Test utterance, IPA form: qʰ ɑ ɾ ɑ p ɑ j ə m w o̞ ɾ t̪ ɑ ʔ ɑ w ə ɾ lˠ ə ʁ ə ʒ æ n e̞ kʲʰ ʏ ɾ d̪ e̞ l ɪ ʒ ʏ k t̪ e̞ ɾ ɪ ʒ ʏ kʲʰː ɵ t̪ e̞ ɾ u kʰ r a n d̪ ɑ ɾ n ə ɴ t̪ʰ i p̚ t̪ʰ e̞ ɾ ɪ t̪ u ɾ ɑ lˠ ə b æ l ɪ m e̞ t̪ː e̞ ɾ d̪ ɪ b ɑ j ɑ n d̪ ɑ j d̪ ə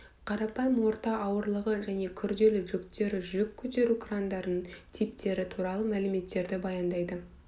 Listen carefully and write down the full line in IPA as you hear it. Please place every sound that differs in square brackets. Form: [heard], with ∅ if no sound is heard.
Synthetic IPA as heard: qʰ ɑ ɾ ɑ p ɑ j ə m w o̞ ɾ t̪ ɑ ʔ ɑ w ə ɾ lˠ ə ʁ ə ʒ æ n e̞ kʲʰ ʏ ɾ d̪ e̞ l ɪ ʒ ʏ k t̪ e̞ ɾ ɪ ʒ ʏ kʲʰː ɵ t̪ e̞ ɾ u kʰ r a n d̪ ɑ ɾ n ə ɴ t̪ʰ i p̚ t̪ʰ e̞ ɾ ɪ [t̪ʰ] u ɾ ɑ lˠ ə [m] æ l ɪ m e̞ t̪ː e̞ ɾ d̪ ɪ b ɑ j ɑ n d̪ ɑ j d̪ ə